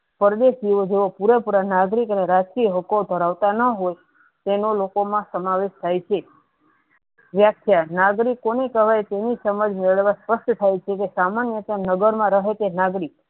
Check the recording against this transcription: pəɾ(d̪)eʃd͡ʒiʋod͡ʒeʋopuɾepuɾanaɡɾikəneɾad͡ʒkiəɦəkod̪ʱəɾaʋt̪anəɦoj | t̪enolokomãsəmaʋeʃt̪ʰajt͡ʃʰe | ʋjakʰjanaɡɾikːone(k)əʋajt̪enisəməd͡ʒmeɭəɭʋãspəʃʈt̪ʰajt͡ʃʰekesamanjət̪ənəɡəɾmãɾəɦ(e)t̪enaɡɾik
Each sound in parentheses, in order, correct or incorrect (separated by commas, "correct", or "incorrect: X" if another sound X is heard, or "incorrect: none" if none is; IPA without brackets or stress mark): correct, correct, correct